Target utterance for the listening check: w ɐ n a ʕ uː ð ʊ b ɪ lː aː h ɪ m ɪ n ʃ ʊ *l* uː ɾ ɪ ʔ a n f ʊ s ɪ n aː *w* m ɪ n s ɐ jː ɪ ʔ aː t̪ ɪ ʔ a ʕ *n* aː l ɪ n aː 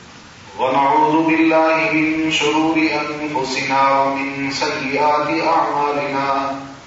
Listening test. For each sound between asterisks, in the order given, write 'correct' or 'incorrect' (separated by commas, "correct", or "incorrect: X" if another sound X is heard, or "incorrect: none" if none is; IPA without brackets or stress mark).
incorrect: ɾ, correct, incorrect: m